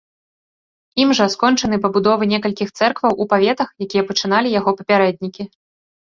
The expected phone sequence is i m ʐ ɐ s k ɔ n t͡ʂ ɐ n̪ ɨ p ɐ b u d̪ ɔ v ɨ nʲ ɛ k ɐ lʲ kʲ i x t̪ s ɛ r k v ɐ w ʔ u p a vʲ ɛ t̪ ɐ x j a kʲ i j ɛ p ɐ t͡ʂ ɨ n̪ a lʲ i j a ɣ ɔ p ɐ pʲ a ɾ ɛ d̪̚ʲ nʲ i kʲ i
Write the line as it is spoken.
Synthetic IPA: i m ʐ ɐ s k ɔ n t͡ʂ ɐ n̪ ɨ p ɐ b u d̪ ɔ v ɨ nʲ ɛ k ɐ lʲ kʲ i x t̪ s ɛ r k v ɐ w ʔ u p a vʲ ɛ t̪ ɐ x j a kʲ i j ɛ p ɐ t͡ʂ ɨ n̪ a lʲ i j a ɣ ɔ p ɐ pʲ a ɾ ɛ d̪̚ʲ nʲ i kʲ i